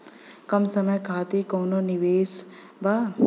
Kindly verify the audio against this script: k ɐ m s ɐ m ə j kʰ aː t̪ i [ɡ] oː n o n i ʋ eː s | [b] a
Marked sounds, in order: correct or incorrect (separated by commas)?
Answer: incorrect, correct